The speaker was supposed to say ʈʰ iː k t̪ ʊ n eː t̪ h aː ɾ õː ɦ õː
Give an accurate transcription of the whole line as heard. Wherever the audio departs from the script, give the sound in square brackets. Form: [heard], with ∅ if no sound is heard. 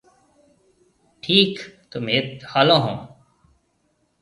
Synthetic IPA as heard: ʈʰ iː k t̪ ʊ [m] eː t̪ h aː [l] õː ɦ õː